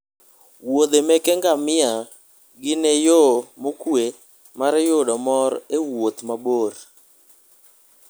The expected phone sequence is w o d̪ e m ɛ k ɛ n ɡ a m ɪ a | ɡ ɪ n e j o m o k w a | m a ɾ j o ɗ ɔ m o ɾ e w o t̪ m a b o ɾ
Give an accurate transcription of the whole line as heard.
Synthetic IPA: w o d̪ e m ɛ k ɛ ŋ ɡ a m ɪ a | ɡ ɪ n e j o m o k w e | m a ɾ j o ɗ ɔ m ɔ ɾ e w o t̪ m a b o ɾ